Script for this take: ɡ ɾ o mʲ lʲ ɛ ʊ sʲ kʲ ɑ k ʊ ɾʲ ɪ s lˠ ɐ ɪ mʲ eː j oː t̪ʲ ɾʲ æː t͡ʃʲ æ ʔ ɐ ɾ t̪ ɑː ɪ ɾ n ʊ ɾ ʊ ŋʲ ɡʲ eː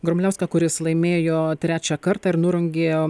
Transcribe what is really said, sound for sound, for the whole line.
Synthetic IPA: ɡ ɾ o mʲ lʲ ɛ ʊ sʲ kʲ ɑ k ʊ ɾʲ ɪ s lˠ ɐ ɪ mʲ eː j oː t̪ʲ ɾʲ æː t͡ʃʲ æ k ɐ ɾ t̪ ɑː ɪ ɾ n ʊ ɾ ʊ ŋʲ ɡʲ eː